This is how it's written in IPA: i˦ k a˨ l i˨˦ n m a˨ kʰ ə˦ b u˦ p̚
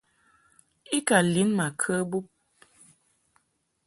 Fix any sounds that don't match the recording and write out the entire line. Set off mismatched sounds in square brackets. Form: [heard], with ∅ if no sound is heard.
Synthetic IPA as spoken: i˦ k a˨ l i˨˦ n m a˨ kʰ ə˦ b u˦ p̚

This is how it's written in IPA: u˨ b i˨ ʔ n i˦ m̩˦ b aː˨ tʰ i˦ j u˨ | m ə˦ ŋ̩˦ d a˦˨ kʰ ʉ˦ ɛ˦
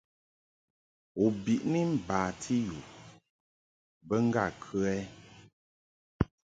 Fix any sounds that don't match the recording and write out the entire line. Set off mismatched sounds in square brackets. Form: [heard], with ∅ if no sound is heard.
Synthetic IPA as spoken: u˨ b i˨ ʔ n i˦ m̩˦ b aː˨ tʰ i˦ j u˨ | [b] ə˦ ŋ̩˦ [ɡ] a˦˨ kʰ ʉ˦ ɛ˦

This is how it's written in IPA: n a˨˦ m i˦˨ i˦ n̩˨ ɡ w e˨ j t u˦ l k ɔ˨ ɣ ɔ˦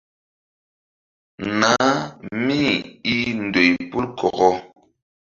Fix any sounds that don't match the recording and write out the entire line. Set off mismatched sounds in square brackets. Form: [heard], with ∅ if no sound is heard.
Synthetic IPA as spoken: n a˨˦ m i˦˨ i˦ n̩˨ [d] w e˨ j [p] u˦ l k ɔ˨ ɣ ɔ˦

